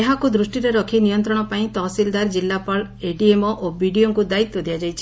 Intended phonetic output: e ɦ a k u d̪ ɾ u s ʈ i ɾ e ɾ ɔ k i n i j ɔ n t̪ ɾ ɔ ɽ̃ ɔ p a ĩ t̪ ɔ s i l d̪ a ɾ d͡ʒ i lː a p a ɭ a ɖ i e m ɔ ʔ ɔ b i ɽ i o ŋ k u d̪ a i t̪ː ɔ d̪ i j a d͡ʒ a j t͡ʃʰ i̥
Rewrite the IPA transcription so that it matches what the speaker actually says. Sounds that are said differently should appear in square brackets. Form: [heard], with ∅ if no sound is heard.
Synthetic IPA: e ɦ a k u d̪ ɾ u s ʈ i ɾ e ɾ ɔ [kʰ] i n i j ɔ n t̪ ɾ ɔ ɽ̃ ɔ p a ĩ t̪ ɔ s i l d̪ a ɾ d͡ʒ i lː a p a ɭ [e] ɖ i e m ɔ ʔ [o] b i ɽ i o ŋ k u d̪ a i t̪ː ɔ d̪ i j a d͡ʒ a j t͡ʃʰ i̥